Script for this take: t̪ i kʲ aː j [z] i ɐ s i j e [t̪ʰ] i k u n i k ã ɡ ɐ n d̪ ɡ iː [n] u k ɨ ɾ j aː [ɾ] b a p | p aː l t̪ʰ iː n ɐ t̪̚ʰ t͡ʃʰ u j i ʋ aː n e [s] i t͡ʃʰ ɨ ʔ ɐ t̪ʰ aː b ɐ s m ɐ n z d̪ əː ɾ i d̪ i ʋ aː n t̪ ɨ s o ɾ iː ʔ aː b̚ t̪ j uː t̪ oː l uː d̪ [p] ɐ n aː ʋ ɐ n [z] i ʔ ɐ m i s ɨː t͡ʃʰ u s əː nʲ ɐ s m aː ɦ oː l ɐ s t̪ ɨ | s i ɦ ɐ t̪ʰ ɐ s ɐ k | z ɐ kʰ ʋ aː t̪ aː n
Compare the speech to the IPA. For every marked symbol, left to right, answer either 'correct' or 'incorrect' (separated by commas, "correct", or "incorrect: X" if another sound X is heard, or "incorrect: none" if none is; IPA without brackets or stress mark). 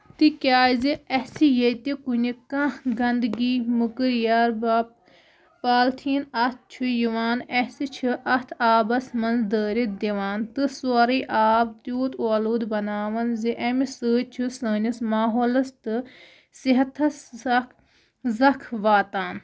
correct, incorrect: t̪, incorrect: m, correct, correct, incorrect: b, correct